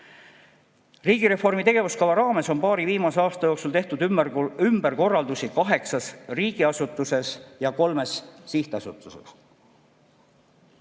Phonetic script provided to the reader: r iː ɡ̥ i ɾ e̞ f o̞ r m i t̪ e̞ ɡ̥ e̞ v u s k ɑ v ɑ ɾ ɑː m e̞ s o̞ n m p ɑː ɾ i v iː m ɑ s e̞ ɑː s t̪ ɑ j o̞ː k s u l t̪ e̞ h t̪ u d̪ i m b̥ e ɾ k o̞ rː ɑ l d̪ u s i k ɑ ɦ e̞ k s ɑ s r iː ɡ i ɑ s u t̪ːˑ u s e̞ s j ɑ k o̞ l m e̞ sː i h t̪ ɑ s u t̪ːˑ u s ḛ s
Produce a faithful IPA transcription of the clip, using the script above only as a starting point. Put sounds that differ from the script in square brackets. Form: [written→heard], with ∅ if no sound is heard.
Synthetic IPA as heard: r iː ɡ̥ i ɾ e̞ f o̞ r m i t̪ e̞ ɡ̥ e̞ v u s k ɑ v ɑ ɾ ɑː m e̞ s o̞ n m p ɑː ɾ i v iː m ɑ s e̞ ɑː s t̪ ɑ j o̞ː k s u l t̪ e̞ h t̪ u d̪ [i→y] m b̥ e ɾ k o̞ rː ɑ l d̪ u s i k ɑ ɦ e̞ k s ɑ s r iː ɡ i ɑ s u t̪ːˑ u s e̞ s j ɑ k o̞ l m e̞ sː i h t̪ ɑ s u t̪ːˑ u s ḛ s